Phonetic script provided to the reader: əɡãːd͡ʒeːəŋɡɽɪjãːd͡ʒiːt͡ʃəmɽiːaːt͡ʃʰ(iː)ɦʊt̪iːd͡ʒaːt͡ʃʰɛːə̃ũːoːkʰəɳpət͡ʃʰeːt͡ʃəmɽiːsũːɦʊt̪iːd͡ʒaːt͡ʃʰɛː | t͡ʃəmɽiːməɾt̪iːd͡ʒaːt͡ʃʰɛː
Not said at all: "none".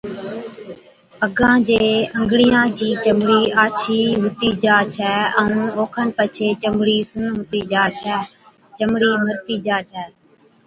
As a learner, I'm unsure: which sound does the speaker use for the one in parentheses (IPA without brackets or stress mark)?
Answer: iː